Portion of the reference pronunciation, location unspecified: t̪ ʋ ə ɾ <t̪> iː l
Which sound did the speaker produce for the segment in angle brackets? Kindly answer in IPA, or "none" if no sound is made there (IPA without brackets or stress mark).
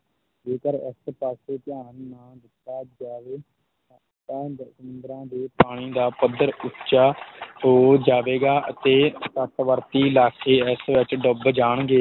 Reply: t̪